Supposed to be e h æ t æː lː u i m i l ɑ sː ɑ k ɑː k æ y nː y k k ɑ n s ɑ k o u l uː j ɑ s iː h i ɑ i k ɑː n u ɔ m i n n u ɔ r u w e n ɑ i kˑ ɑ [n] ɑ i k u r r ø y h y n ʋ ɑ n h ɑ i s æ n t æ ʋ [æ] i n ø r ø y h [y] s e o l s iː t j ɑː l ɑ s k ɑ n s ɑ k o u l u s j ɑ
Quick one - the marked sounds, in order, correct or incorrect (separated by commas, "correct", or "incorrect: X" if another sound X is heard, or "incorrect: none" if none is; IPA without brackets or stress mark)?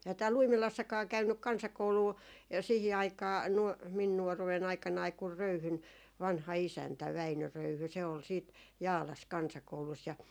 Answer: correct, correct, correct